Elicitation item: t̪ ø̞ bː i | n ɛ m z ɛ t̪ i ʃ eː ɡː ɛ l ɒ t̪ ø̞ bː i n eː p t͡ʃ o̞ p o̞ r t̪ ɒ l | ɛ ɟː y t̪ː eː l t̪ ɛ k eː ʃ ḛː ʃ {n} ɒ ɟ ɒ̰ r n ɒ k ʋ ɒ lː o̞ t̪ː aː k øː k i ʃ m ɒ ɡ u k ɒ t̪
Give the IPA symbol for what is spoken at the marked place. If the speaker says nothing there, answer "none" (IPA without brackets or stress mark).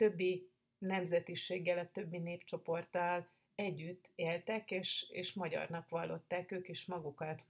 m